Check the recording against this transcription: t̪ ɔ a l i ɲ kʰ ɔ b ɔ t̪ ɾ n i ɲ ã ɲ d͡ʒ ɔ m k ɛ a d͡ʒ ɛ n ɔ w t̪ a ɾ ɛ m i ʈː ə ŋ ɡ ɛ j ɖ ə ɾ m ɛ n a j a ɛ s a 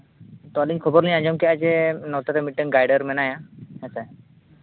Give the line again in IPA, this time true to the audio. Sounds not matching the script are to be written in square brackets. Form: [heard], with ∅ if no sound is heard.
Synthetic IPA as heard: t̪ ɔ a l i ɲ kʰ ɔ b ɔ [∅] ɾ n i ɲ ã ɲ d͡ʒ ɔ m k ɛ a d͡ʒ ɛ n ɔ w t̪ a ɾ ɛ m i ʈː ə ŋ ɡ [a] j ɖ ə ɾ m ɛ n a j a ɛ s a